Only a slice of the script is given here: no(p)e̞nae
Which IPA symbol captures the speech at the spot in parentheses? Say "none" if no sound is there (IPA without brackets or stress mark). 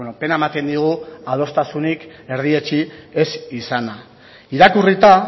p